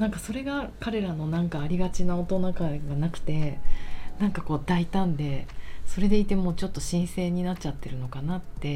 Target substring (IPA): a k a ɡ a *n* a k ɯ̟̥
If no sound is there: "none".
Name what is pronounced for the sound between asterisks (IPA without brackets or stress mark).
n